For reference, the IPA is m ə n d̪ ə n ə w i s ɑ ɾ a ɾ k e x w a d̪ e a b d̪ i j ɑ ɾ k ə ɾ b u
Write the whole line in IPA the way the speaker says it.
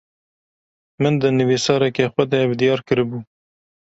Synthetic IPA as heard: m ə n d̪ ə n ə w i s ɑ ɾ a k e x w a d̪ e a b d̪ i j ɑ ɾ k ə ɾ b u